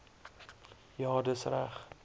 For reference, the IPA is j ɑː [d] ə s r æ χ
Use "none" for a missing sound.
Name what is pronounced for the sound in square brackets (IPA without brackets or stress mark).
d